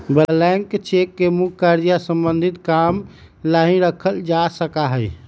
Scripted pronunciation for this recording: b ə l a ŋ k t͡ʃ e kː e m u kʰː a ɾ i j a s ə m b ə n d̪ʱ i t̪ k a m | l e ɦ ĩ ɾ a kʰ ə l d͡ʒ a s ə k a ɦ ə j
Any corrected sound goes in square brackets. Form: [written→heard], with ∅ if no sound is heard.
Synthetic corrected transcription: b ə l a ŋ k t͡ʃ e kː e m u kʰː a ɾ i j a s ə m b ə n d̪ʱ i t̪ k a m | l [e→a] ɦ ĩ ɾ [a→ə] kʰ ə l d͡ʒ a s ə k a ɦ ə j